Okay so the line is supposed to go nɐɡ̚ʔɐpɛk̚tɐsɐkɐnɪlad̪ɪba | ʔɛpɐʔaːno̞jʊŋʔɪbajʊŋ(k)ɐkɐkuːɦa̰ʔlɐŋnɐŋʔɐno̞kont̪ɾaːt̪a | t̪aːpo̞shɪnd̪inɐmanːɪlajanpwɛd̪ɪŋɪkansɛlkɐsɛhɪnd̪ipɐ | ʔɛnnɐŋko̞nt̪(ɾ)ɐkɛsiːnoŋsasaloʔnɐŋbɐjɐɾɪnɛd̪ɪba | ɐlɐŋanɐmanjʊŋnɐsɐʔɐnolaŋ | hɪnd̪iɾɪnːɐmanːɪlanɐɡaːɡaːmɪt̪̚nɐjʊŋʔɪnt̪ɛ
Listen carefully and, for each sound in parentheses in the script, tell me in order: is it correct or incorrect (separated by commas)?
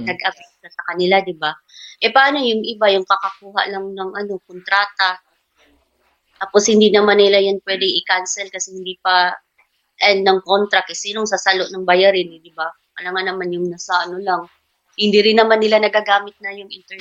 correct, correct